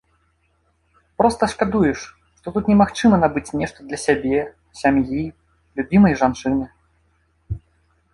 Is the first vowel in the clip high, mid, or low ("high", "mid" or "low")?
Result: mid